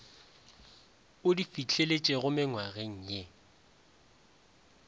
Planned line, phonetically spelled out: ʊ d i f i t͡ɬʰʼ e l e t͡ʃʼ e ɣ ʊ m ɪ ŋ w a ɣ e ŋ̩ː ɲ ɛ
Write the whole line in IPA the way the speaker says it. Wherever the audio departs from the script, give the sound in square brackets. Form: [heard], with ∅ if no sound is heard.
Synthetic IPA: ʊ d i f i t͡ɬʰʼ e l e t͡ʃʼ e ɣ ʊ m ɪ ŋ w a ɣ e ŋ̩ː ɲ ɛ